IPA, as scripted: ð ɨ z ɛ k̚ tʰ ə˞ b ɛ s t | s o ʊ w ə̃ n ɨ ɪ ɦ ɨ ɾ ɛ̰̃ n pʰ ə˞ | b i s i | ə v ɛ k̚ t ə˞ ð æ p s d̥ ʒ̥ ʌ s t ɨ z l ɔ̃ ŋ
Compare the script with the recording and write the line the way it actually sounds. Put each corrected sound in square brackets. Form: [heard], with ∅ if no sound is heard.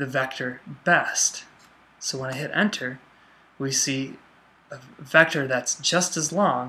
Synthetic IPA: ð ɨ [v] ɛ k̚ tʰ ə˞ b ɛ s t | s o ʊ w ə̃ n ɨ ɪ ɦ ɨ ɾ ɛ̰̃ n [tʰ] ə˞ | [w] i s i | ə v ɛ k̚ t ə˞ ð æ [t] s d̥ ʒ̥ ʌ s t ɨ z l ɔ̃ ŋ